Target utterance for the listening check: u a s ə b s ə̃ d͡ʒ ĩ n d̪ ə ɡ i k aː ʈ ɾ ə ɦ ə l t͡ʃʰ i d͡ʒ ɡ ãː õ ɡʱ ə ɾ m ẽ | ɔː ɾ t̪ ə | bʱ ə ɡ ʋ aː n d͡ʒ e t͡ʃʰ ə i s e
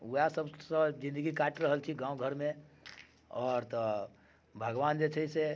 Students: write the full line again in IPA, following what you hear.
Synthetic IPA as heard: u a s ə b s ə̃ d͡ʒ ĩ n d̪ ə ɡ i k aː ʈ ɾ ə ɦ ə l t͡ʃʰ i ɡ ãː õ ɡʱ ə ɾ m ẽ | ɔː ɾ t̪ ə | bʱ ə ɡ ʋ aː n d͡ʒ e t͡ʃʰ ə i s e